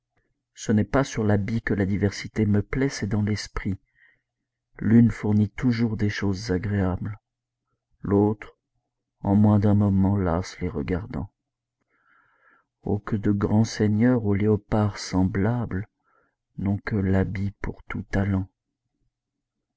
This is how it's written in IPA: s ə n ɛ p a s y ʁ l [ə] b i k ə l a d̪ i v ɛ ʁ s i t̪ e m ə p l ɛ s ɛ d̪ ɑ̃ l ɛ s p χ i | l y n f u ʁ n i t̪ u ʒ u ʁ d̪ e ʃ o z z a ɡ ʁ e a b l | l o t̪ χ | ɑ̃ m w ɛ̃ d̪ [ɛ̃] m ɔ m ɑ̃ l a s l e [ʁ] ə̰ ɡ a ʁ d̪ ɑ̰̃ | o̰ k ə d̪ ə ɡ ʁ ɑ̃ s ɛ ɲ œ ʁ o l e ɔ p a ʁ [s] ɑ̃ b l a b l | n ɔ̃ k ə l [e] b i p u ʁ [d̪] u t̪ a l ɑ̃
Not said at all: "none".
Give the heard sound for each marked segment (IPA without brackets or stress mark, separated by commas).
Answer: a, ɛ̃, ʁ, s, a, t̪